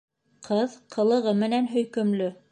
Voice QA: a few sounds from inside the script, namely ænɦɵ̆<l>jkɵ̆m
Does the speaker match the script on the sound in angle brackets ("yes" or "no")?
no